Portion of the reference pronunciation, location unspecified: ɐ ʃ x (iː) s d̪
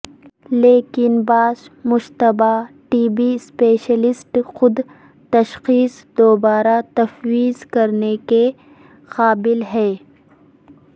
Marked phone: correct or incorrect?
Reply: correct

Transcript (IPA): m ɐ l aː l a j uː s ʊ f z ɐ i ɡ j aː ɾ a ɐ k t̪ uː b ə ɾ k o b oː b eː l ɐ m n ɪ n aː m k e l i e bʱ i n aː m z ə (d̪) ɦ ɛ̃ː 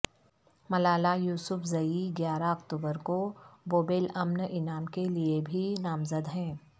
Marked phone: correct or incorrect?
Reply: correct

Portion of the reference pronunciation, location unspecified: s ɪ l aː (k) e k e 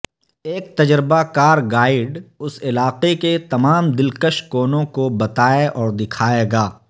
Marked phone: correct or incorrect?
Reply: incorrect: q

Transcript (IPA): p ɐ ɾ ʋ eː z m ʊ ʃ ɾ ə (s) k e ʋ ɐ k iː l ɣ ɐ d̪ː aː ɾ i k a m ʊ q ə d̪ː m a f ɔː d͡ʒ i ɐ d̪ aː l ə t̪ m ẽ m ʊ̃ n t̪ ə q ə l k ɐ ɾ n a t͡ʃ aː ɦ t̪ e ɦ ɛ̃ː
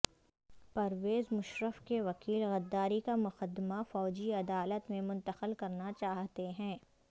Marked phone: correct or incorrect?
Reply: incorrect: f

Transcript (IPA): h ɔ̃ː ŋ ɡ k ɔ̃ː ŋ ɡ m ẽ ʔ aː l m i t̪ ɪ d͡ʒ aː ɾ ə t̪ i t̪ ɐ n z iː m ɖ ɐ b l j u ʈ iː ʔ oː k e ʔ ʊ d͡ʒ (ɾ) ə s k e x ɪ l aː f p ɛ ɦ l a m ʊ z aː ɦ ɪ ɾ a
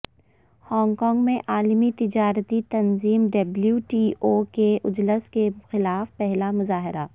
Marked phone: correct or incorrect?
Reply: incorrect: l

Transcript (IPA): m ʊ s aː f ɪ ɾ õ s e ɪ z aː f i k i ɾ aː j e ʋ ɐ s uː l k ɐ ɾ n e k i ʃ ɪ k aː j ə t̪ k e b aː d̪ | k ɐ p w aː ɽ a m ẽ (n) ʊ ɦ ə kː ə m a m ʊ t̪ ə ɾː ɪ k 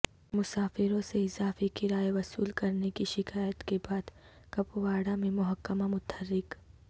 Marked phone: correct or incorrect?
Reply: incorrect: m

